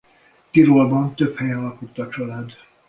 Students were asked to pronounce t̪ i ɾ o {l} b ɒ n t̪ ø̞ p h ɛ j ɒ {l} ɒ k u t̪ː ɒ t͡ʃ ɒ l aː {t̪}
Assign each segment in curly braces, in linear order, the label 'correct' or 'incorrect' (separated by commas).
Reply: correct, correct, incorrect